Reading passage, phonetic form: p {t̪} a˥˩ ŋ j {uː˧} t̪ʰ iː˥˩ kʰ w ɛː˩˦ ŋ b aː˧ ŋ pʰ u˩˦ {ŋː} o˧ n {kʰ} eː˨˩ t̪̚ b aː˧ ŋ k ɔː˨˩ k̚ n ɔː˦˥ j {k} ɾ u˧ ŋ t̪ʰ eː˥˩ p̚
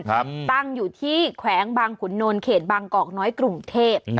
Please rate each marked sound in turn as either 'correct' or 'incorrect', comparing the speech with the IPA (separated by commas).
correct, incorrect, incorrect, correct, correct